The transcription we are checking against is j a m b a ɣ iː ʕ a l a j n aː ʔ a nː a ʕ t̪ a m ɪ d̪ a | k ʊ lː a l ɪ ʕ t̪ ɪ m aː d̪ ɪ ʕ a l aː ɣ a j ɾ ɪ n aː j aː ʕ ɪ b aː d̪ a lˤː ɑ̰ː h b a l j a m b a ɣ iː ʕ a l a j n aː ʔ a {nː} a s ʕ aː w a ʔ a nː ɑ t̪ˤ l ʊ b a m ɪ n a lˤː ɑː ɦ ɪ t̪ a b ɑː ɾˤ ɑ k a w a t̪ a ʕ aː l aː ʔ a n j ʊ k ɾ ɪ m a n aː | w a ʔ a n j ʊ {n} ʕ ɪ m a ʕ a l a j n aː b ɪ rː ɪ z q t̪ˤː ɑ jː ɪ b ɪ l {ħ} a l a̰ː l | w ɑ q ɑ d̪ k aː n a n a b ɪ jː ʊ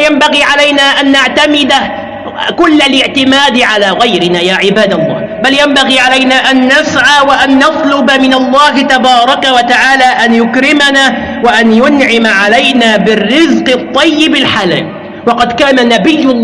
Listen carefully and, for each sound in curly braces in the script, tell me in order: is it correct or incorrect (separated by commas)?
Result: correct, correct, correct